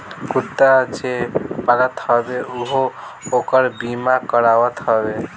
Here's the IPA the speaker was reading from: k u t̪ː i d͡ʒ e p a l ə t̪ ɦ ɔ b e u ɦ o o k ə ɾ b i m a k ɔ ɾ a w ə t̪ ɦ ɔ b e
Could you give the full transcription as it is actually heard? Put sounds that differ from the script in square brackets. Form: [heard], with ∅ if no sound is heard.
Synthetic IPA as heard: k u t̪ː [a] d͡ʒ e p a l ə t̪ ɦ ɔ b e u ɦ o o k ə ɾ b i m a k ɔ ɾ a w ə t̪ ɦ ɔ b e